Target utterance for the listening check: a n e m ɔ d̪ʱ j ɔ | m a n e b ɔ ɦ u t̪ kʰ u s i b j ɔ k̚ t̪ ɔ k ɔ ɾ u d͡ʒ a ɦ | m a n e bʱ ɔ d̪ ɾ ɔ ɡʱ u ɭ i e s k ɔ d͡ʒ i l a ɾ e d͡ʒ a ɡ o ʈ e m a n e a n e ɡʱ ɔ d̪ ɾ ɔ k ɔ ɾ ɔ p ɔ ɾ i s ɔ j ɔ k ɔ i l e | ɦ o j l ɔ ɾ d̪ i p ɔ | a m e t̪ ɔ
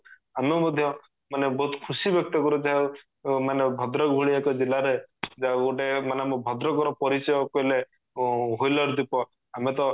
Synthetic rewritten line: a m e m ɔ d̪ʱ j ɔ | m a n e b ɔ ɦ u t̪ kʰ u s i b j ɔ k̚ t̪ ɔ k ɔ ɾ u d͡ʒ a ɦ | m a n e bʱ ɔ d̪ ɾ ɔ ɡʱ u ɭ i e k ɔ d͡ʒ i l a ɾ e d͡ʒ a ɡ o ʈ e m a n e a m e bʱ ɔ d̪ ɾ ɔ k ɔ ɾ ɔ p ɔ ɾ i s ɔ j ɔ k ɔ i l e | ɦ o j l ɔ ɾ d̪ i p ɔ | a m e t̪ ɔ